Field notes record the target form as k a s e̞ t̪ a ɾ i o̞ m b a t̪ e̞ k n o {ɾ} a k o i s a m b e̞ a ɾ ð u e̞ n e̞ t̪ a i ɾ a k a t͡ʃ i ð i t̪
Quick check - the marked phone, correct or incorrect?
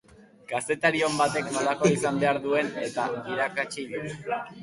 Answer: incorrect